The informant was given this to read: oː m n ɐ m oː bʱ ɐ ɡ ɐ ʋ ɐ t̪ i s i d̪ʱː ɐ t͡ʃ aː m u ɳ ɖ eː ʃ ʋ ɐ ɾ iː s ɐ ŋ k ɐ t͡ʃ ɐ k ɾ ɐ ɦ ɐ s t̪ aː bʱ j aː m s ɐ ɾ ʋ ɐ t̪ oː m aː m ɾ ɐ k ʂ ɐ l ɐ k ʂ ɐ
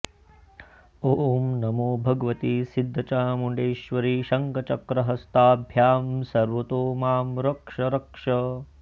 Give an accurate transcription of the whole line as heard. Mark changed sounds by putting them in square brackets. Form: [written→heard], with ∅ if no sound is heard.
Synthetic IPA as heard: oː m n ɐ m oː bʱ ɐ ɡ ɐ ʋ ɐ t̪ i s i d̪ʱː ɐ t͡ʃ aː m u ɳ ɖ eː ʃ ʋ ɐ ɾ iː [s→ʃ] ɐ ŋ k ɐ t͡ʃ ɐ k ɾ ɐ ɦ ɐ s t̪ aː bʱ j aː m s ɐ ɾ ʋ ɐ t̪ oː m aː m ɾ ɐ k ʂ ɐ [l→ɾ] ɐ k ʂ ɐ